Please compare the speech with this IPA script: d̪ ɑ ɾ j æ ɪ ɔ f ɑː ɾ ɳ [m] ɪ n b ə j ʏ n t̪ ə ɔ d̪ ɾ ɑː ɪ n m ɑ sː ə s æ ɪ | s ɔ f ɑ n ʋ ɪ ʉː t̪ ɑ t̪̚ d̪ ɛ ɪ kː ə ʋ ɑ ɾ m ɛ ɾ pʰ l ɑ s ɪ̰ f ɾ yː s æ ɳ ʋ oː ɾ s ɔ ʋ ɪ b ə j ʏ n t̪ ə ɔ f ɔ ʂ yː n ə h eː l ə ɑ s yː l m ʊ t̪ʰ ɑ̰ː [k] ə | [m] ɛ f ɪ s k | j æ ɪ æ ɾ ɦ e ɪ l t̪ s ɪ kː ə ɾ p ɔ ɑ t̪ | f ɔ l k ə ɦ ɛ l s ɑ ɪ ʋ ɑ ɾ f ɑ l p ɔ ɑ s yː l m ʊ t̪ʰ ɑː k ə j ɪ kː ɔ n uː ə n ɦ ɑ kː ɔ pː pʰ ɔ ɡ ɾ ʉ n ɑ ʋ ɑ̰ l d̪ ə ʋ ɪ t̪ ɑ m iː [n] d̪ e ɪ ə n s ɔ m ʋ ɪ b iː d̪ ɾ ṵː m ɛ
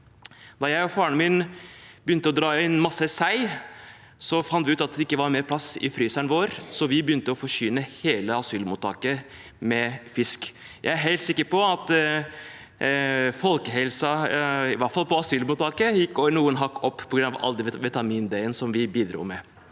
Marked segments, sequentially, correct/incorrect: correct, correct, correct, correct

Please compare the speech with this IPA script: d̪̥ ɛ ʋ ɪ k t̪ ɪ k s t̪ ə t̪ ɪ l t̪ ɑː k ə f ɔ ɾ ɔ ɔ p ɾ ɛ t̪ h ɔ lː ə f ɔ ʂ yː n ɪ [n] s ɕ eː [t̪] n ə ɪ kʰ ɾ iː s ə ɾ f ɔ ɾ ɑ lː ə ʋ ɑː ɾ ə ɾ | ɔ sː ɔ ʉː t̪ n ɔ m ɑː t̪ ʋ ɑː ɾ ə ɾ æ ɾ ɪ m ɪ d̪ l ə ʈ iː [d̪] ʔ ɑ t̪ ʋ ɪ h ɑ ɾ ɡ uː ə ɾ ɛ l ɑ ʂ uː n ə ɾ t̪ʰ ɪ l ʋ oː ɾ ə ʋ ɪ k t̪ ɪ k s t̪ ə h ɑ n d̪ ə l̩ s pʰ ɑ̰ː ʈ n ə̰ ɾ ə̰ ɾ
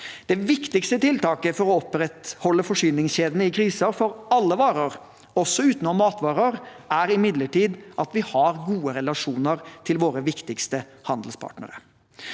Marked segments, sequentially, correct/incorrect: incorrect: ŋ, incorrect: d̪, correct

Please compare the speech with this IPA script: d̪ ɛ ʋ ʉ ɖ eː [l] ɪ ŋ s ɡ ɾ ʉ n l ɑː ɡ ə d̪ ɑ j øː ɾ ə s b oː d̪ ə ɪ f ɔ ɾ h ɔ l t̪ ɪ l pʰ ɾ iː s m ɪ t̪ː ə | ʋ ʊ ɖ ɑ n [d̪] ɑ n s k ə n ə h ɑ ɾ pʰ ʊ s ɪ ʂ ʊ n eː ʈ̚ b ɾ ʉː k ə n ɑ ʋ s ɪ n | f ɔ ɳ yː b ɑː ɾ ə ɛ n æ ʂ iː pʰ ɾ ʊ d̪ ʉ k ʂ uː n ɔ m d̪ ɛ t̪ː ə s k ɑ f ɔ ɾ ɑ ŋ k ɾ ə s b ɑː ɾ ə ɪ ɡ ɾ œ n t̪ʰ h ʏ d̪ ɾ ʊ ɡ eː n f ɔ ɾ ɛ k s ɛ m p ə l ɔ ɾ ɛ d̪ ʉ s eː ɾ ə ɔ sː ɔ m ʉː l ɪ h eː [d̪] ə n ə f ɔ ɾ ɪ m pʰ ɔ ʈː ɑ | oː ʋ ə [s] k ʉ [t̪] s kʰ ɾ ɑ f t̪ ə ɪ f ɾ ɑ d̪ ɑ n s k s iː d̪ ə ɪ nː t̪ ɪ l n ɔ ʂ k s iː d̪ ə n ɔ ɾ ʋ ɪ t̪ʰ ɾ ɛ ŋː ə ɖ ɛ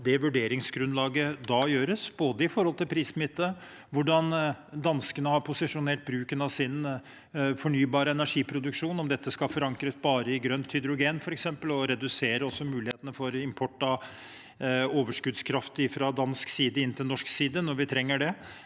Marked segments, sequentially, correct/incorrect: incorrect: ɾ, correct, incorrect: t̪, incorrect: ʂ, incorrect: d̪

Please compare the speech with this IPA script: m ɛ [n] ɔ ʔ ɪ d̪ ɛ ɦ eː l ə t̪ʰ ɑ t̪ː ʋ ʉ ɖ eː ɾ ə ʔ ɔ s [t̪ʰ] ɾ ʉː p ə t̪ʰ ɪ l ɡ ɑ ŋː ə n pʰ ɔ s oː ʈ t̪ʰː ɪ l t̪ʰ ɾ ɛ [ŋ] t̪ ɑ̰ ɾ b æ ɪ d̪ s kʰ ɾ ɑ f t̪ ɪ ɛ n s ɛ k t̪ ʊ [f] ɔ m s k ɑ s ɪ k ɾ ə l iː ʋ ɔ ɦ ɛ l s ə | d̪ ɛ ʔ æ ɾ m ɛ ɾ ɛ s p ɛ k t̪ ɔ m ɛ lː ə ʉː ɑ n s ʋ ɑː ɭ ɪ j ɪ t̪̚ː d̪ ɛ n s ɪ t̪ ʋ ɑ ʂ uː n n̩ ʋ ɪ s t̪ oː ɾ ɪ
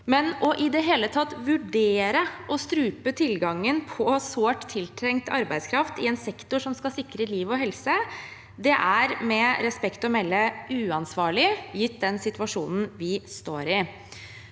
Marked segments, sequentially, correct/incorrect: correct, incorrect: t̪, correct, incorrect: ʂ

